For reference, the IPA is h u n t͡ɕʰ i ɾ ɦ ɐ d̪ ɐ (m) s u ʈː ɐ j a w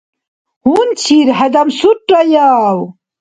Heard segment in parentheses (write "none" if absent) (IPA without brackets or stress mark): m